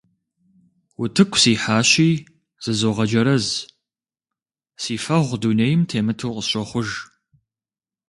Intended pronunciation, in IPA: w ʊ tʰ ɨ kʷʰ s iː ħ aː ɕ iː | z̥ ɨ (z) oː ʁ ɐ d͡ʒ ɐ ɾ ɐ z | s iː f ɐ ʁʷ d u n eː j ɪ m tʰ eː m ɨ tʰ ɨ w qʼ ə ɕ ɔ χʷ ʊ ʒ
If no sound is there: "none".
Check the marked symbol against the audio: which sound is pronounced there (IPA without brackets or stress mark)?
z